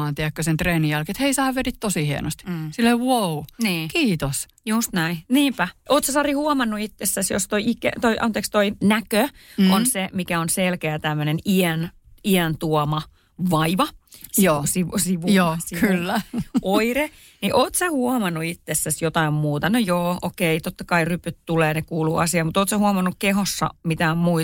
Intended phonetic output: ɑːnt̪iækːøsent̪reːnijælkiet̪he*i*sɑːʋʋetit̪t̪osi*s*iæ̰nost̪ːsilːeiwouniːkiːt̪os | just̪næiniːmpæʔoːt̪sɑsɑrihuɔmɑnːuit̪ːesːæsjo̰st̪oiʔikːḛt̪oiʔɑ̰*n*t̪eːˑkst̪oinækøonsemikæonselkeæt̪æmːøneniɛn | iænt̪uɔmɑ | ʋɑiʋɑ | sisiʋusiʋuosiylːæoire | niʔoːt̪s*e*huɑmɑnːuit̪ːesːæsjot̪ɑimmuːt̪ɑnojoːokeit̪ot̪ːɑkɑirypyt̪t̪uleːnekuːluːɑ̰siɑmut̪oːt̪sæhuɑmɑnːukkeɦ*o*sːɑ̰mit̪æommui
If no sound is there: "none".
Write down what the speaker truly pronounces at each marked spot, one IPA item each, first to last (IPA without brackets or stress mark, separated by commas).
i, h, n, æ, o